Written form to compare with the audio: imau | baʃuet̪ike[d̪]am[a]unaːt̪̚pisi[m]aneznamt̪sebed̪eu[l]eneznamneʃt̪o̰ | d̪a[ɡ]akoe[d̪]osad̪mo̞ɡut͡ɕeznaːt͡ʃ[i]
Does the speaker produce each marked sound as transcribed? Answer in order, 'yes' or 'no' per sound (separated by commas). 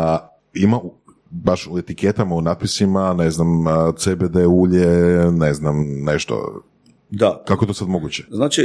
no, yes, yes, no, no, no, yes